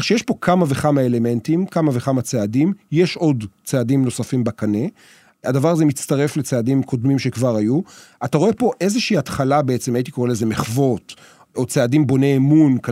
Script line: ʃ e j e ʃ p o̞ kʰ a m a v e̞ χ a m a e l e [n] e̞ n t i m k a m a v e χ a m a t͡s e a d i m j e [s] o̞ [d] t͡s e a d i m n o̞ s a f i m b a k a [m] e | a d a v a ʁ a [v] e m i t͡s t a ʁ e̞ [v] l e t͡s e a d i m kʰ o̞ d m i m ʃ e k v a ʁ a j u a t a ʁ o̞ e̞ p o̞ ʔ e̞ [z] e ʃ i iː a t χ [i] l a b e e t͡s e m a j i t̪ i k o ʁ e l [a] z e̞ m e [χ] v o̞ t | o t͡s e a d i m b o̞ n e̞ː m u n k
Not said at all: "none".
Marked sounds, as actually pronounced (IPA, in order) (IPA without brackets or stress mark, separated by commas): m, ʃ, d, n, z, f, z, a, e, χ